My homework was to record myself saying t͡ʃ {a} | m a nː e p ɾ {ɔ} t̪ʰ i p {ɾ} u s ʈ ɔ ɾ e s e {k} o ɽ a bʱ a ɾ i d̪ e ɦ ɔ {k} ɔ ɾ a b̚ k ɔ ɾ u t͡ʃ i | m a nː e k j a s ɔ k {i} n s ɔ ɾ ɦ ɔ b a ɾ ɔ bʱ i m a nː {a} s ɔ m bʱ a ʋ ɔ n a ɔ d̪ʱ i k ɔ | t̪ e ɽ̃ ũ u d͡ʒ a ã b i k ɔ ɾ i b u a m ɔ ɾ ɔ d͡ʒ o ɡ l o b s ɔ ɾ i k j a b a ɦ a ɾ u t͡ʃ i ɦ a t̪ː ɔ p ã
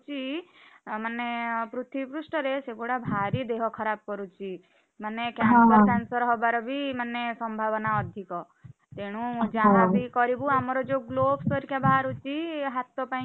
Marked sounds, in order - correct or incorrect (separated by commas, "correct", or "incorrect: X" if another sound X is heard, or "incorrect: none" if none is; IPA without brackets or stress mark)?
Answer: incorrect: i, incorrect: u, correct, incorrect: ɡ, incorrect: kʰ, incorrect: a, incorrect: e